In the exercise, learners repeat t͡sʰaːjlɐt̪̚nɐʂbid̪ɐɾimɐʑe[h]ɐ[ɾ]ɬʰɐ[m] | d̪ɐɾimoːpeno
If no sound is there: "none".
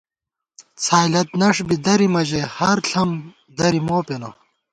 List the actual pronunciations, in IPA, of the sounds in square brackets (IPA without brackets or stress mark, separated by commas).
h, ɾ, m